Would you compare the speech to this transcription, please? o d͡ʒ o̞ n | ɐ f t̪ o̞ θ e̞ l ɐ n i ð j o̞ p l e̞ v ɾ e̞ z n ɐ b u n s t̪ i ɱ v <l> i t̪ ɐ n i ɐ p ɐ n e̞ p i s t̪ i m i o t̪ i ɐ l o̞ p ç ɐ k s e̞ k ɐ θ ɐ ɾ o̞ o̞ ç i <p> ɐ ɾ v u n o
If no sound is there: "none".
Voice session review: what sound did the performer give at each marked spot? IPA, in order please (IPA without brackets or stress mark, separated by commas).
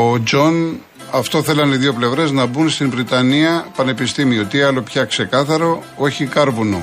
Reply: ɾ, k